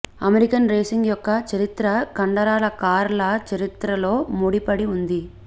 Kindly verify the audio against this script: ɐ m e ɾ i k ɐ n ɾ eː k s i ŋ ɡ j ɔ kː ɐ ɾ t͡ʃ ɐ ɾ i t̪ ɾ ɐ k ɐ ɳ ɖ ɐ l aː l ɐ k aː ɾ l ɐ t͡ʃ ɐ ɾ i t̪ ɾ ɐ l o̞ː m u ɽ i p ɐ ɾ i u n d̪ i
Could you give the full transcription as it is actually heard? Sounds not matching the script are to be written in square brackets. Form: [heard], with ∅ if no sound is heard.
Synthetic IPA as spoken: ɐ m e ɾ i k ɐ n ɾ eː [∅] s i ŋ ɡ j ɔ kː ɐ [∅] t͡ʃ ɐ ɾ i t̪ ɾ ɐ k ɐ ɳ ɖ ɐ [ɾ] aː l ɐ k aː ɾ l ɐ t͡ʃ ɐ ɾ i t̪ ɾ ɐ l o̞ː m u ɽ i p ɐ [ɽ] i u n d̪ i